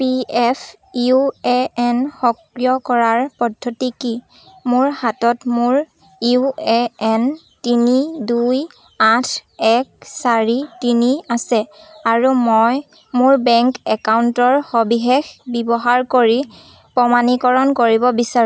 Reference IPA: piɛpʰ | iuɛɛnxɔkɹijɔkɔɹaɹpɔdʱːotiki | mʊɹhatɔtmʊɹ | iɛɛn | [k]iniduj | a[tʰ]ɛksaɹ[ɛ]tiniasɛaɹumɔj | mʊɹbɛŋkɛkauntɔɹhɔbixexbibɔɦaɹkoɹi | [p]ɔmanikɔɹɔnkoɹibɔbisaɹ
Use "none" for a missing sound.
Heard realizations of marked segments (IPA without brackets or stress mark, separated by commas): t, tʰ, i, p